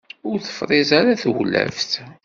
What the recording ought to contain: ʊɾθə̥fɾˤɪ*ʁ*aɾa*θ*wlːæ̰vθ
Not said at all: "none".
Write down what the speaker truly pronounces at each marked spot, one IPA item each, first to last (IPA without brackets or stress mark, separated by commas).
z, θ